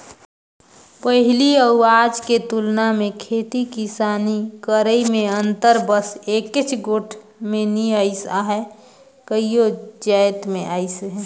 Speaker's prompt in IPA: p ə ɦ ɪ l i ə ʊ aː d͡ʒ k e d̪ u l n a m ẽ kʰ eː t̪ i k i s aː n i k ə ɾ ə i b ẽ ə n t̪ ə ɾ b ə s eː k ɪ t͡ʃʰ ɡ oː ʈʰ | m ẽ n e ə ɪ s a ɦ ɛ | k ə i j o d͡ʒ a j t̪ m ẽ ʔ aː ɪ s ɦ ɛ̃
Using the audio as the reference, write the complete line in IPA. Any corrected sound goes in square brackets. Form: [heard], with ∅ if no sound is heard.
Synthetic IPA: p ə ɦ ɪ l i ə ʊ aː d͡ʒ k e [t̪] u l n a m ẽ kʰ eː t̪ i k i s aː n i k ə ɾ ə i [m] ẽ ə n t̪ ə ɾ b ə s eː k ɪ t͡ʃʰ ɡ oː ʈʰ | m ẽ n [i] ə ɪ s a ɦ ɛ | k ə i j o d͡ʒ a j t̪ m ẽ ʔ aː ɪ s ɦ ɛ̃